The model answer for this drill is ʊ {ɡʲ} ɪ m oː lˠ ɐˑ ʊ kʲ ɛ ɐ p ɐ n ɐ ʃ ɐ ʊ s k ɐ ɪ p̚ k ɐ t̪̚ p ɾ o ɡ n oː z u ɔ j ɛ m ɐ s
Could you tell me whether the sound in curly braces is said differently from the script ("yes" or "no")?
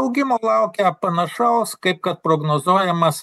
no